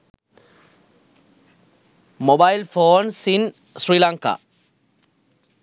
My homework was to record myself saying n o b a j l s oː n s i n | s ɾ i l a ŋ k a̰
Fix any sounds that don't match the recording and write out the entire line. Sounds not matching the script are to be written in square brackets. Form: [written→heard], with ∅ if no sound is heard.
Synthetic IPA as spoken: [n→m] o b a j l [s→f] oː n s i n | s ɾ i l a ŋ k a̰